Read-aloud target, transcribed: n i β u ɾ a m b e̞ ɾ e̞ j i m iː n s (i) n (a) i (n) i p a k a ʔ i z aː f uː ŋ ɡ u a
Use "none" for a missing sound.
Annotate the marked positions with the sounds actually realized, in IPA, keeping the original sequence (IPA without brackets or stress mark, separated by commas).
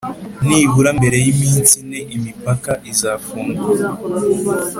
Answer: i, e, m